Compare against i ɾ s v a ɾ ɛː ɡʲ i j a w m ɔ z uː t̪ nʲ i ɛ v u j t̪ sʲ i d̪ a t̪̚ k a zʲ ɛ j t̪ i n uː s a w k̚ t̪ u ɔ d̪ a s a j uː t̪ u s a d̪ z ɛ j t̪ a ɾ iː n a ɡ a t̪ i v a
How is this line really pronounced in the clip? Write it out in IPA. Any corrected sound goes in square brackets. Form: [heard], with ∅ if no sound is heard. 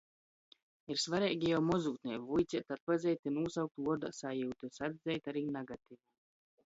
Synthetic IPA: i ɾ s v a ɾ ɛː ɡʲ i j a w m ɔ z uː t̪ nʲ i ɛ v u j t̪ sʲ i [t̪] a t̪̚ [p] a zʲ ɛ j t̪ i n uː s a w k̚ t̪ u ɔ d̪ a s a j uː t̪ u s a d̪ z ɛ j t̪ a ɾ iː n a ɡ a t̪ i v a